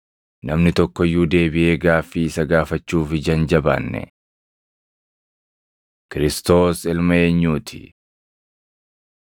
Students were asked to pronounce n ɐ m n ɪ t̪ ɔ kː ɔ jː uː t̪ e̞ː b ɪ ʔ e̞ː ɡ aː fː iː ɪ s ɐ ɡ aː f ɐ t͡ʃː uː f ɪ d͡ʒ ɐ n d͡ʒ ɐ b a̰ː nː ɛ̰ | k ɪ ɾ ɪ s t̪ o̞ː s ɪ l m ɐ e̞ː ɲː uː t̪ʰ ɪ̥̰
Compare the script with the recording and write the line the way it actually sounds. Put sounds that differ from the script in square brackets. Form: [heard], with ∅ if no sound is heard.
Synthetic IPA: n ɐ m n ɪ t̪ ɔ kː ɔ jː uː [d̪] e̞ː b ɪ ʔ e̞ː ɡ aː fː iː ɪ s ɐ ɡ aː f ɐ t͡ʃː uː f ɪ d͡ʒ ɐ n d͡ʒ ɐ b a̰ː nː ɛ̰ | k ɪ ɾ ɪ s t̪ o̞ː s ɪ l m ɐ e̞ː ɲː uː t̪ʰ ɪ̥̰